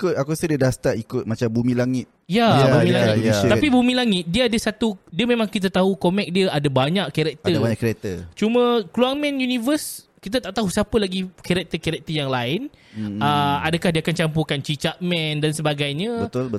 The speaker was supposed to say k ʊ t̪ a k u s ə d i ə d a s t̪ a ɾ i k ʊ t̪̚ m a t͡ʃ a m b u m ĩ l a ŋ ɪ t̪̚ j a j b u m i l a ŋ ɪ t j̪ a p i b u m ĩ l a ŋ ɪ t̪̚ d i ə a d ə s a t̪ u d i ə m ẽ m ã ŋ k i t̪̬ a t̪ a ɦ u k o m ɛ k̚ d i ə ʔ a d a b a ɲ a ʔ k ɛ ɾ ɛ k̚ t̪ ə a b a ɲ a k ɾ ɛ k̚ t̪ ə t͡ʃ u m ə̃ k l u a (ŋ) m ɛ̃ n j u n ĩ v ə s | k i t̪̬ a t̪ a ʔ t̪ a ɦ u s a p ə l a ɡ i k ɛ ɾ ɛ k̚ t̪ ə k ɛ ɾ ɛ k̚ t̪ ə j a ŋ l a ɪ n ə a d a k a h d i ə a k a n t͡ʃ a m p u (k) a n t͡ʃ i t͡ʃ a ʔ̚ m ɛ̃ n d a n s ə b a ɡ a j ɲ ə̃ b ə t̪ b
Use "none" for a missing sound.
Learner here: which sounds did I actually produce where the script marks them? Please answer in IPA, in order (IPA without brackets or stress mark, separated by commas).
ŋ, k